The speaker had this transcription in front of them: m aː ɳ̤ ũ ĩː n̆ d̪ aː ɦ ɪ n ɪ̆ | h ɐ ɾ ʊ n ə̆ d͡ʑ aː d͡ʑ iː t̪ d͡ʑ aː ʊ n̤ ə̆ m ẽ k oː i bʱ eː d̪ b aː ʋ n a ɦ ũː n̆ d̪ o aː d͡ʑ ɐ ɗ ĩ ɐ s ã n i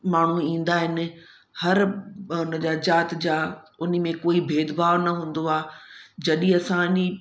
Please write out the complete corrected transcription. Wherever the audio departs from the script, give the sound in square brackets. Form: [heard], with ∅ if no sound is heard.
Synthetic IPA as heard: m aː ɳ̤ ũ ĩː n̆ d̪ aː ɦ ɪ n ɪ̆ | h ɐ ɾ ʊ n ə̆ d͡ʑ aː d͡ʑ [aː] t̪ d͡ʑ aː ʊ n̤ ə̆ m ẽ k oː i bʱ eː d̪ b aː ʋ n [ɐ] ɦ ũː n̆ d̪ o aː d͡ʑ ɐ ɗ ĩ ɐ s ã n i